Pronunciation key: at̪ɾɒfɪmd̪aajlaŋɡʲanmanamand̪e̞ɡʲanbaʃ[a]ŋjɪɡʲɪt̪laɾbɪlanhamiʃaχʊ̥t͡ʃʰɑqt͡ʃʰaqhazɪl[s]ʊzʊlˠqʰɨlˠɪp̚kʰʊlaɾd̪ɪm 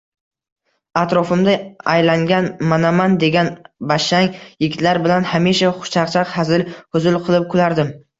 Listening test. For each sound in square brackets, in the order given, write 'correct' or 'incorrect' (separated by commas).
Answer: correct, incorrect